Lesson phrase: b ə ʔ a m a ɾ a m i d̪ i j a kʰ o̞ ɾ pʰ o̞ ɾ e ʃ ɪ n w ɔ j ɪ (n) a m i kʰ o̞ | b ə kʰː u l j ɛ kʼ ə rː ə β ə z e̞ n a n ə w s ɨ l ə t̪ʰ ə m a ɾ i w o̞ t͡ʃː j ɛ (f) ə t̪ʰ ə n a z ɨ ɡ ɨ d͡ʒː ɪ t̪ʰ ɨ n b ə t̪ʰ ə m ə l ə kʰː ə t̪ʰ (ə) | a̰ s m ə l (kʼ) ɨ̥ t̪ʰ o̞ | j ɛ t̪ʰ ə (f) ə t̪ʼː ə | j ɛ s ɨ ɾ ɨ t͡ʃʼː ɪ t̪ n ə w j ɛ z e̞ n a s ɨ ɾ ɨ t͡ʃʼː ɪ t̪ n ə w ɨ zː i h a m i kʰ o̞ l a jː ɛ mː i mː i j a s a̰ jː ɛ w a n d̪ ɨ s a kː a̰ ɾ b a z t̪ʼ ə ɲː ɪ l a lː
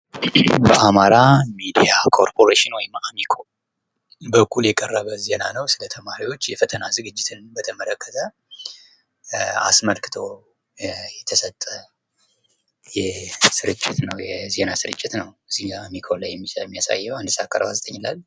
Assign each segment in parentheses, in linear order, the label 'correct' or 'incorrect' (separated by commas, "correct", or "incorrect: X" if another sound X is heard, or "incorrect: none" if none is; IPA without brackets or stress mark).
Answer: incorrect: m, correct, correct, incorrect: k, incorrect: s